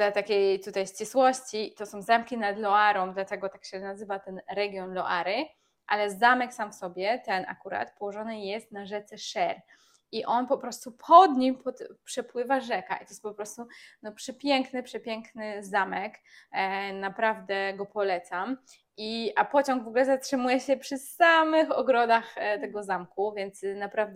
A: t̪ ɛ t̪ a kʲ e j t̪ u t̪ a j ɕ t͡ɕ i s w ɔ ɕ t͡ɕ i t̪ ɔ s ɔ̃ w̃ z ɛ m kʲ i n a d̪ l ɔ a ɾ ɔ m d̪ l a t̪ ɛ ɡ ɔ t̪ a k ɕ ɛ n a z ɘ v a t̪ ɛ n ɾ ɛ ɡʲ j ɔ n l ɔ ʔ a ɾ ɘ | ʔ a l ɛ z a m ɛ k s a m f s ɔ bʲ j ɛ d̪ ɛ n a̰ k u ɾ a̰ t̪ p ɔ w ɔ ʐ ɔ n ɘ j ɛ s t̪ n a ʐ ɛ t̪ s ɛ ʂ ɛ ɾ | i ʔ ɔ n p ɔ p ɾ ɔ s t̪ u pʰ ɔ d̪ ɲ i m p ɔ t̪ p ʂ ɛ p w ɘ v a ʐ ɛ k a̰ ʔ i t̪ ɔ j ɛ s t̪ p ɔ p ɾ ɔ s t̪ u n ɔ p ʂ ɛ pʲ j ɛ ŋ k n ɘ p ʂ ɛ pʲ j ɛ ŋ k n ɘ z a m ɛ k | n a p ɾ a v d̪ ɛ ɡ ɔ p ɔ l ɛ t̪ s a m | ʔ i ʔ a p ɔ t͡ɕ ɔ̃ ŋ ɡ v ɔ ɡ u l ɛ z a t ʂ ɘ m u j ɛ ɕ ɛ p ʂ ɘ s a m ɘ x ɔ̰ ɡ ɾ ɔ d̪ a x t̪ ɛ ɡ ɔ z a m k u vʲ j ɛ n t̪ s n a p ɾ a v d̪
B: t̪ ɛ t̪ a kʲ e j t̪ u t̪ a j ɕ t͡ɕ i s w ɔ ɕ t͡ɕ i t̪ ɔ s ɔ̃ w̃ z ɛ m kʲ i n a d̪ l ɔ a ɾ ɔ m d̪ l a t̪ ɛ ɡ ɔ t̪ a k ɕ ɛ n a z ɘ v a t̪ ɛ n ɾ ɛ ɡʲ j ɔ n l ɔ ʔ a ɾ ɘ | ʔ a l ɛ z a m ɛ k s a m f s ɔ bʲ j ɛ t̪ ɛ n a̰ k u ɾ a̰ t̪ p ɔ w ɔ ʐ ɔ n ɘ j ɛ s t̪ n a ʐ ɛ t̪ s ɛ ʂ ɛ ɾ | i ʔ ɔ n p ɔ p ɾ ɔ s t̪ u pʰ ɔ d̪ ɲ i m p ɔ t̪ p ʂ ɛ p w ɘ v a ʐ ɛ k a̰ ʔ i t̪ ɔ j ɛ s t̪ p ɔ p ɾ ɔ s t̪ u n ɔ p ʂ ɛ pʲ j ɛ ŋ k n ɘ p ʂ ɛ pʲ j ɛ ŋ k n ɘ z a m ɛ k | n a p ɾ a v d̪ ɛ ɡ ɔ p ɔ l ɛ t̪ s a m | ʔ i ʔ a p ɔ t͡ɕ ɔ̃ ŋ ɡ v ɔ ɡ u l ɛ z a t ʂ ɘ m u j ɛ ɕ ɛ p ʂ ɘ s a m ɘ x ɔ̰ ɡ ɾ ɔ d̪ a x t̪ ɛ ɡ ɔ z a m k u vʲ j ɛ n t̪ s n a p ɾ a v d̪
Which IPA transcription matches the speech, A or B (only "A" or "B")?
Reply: B